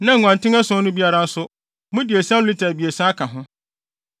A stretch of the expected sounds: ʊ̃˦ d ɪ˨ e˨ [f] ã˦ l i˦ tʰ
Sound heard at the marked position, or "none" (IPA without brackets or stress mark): s